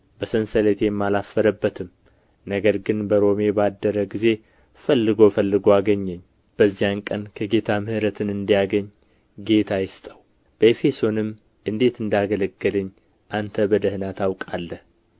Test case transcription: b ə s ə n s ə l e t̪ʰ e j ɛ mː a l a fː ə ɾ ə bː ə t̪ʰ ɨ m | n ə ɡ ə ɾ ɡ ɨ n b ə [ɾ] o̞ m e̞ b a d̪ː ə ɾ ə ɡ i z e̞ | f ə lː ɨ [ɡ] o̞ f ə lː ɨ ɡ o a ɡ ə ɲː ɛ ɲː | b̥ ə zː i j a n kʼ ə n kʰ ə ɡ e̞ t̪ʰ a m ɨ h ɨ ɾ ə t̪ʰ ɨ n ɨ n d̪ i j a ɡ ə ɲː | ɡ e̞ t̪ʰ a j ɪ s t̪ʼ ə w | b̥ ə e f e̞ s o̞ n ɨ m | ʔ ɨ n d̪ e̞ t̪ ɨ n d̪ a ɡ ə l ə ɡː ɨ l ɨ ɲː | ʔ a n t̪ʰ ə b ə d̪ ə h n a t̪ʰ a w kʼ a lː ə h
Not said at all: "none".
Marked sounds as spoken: ɾ, ɡ

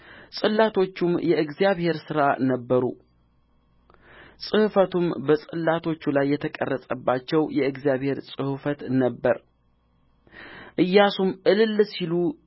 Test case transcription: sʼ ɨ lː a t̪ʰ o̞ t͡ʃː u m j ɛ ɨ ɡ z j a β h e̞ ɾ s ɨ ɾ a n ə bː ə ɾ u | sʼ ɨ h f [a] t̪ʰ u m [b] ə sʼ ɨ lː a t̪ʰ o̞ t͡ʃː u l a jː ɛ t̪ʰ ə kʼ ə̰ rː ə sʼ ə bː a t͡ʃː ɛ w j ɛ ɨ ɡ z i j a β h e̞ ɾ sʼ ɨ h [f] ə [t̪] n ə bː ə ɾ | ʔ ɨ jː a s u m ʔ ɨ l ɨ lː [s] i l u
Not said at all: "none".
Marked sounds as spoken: ə, b, f, t̪, s

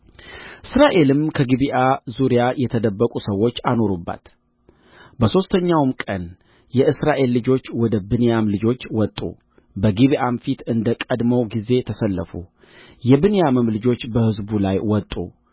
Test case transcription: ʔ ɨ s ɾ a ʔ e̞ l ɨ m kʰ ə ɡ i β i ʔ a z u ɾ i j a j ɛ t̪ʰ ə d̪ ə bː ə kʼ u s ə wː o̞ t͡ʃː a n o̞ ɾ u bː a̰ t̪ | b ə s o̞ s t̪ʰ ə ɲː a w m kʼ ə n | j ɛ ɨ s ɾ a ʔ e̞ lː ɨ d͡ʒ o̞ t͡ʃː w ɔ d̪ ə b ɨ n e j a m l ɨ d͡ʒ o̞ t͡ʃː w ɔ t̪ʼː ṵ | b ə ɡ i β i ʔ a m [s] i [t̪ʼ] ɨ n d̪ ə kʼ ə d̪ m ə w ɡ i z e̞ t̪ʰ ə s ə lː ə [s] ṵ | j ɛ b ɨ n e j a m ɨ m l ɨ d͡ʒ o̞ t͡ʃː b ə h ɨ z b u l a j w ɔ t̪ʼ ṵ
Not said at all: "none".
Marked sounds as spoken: f, t̪, f

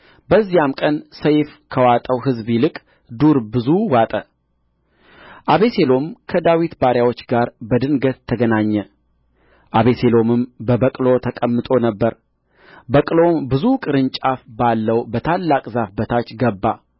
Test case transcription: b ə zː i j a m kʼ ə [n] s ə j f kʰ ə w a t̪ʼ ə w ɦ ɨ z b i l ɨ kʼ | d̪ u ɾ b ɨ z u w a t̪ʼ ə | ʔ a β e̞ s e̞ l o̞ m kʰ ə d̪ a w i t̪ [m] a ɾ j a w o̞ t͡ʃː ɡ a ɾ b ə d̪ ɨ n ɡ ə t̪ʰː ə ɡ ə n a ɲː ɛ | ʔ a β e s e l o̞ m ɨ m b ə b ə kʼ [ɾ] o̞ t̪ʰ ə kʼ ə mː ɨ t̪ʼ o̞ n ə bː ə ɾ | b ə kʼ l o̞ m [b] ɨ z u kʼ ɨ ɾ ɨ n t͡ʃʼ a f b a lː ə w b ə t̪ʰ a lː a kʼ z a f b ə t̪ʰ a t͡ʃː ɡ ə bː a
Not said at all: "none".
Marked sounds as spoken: n, b, l, b

